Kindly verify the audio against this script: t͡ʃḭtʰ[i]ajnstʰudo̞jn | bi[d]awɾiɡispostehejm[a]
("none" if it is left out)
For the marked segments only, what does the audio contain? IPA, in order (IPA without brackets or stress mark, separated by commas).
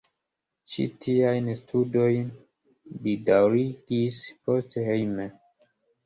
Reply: i, d, e